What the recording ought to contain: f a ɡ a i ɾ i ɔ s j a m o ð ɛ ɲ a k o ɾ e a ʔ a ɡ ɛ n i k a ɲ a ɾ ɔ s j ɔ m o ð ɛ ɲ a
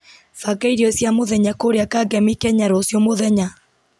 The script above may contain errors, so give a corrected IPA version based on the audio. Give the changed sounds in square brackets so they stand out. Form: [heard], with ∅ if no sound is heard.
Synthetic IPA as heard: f a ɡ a i ɾ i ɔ s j a m o ð ɛ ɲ a k o ɾ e a [k] a ɡ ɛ [m] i k [ɛ] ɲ a ɾ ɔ s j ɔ m o ð ɛ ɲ a